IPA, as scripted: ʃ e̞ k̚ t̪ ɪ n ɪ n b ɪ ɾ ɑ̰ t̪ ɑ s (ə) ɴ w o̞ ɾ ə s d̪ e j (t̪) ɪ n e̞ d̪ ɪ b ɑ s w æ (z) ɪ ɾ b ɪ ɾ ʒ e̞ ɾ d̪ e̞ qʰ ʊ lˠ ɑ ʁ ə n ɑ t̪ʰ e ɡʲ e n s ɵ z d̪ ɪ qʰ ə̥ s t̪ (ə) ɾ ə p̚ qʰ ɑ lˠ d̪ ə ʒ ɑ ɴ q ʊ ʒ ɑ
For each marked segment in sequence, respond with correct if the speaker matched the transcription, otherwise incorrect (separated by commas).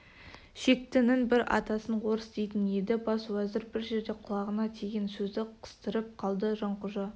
correct, correct, correct, correct